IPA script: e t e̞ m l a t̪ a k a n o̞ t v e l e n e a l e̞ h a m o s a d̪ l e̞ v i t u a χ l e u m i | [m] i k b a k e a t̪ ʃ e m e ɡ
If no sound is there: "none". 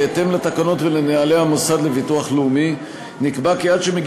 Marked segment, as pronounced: n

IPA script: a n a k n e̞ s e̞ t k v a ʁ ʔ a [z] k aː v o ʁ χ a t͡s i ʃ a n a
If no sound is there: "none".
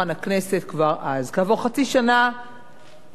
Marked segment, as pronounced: z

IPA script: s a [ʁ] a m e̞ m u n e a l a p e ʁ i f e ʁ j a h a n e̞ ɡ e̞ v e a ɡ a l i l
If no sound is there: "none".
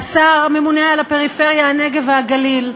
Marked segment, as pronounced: ʁ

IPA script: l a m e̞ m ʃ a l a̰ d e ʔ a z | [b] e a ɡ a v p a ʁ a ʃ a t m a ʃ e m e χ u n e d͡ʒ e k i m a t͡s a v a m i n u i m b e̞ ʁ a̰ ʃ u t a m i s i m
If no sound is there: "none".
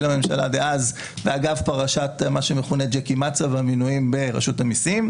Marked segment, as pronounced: v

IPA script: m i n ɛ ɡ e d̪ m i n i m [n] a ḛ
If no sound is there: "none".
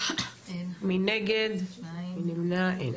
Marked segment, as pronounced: n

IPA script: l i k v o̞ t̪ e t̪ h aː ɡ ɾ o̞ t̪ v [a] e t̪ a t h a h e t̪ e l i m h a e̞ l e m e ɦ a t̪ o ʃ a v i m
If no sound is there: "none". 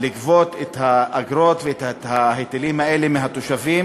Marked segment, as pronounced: e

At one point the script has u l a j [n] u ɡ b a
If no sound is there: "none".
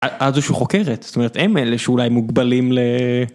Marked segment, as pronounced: m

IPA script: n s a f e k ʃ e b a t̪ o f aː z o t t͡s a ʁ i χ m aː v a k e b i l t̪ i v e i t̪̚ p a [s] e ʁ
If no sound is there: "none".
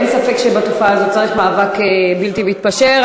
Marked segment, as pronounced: ʃ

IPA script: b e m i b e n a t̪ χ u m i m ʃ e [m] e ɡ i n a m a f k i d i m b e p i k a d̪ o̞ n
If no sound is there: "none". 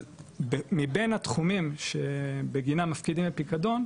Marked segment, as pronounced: b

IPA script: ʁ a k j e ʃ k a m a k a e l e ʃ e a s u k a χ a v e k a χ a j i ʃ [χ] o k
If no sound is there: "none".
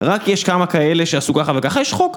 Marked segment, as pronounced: χ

